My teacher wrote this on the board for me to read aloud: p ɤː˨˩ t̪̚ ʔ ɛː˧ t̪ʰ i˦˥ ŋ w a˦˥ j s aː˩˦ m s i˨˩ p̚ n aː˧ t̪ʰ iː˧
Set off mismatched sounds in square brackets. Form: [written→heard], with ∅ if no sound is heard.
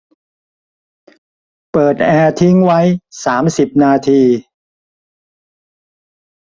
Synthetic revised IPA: p ɤː˨˩ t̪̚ ʔ ɛː˧ t̪ʰ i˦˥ ŋ w a˦˥ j s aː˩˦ m s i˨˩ p̚ n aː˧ t̪ʰ iː˧